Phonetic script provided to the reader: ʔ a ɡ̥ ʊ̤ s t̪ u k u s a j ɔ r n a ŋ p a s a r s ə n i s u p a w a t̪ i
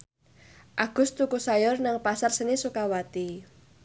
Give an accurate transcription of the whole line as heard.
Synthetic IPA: ʔ a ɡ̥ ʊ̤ s t̪ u k u s a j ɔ r n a ŋ p a s a r s ə n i s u k a w a t̪ i